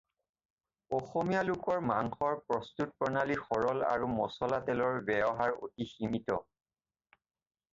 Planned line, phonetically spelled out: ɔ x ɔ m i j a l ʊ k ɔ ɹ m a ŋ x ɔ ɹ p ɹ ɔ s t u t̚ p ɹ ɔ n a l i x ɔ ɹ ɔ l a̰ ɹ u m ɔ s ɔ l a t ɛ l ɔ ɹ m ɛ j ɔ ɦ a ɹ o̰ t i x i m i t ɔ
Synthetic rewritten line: ɔ x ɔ m i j a l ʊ k ɔ ɹ m a ŋ x ɔ ɹ p ɹ ɔ s t u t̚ p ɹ ɔ n a l i x ɔ ɹ ɔ l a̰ ɹ u m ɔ s ɔ l a t ɛ l ɔ ɹ b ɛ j ɔ ɦ a ɹ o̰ t i x i m i t ɔ